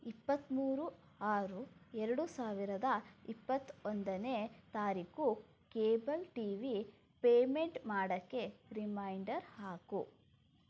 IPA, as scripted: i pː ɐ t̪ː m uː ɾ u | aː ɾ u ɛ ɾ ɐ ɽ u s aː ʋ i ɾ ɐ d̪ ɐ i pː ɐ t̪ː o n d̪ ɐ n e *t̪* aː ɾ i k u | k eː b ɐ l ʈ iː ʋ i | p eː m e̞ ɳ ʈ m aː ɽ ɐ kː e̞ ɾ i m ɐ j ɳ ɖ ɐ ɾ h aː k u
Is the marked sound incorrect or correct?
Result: correct